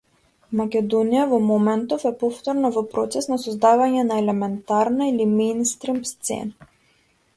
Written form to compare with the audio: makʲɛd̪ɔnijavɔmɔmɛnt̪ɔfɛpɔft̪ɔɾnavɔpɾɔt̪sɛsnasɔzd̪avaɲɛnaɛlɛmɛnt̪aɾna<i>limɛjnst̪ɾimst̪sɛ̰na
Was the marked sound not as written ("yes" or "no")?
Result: no